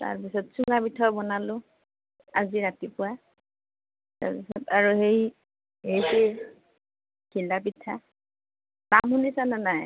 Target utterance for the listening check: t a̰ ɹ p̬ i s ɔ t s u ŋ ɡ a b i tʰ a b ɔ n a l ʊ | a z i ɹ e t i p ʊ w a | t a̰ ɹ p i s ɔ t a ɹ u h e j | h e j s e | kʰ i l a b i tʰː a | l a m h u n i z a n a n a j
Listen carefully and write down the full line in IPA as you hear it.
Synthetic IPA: t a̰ ɹ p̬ i s ɔ t s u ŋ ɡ a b i tʰ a b ɔ n a l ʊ | a z i ɹ a t i p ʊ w a | t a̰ ɹ p i s ɔ t a ɹ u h e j | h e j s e | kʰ i l a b i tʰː a | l a m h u n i s a n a n a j